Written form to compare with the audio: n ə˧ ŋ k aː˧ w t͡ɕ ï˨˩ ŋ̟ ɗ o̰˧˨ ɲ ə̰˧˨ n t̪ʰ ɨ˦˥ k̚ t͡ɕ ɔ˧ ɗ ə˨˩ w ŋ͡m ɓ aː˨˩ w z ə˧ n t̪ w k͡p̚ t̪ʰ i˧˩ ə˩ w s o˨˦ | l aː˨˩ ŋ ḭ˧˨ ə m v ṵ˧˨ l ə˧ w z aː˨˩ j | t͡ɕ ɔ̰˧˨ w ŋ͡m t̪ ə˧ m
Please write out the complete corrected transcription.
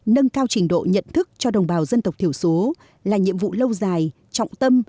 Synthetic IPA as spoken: n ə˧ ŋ k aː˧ w t͡ɕ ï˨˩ ŋ̟ ɗ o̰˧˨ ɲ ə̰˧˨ n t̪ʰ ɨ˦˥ k̚ t͡ɕ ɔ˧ ɗ ə˨˩ w ŋ͡m ɓ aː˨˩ w z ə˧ n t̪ w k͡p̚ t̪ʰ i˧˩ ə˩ w s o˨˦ | l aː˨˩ ɲ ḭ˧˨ ə m v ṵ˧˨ l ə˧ w z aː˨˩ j | t͡ɕ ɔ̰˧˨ w ŋ͡m t̪ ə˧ m